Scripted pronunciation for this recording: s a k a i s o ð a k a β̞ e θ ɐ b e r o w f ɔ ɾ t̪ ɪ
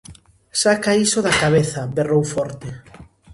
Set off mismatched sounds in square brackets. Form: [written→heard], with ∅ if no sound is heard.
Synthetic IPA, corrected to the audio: s a k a i s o ð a k a β̞ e θ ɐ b e r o w f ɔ ɾ t̪ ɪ